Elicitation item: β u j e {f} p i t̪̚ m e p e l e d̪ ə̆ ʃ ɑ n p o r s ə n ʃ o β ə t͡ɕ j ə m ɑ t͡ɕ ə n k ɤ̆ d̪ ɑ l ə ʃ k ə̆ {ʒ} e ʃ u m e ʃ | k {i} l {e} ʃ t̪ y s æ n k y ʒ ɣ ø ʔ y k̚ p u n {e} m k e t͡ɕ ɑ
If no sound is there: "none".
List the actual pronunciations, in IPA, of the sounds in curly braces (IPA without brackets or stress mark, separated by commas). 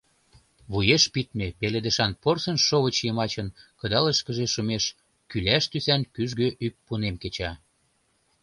ʃ, ʒ, y, æ, e